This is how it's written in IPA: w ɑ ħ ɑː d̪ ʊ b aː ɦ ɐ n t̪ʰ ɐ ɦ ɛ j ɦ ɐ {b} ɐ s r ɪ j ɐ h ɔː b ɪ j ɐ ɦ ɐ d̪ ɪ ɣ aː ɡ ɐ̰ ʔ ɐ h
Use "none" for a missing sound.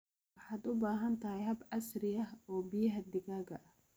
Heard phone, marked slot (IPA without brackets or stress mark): b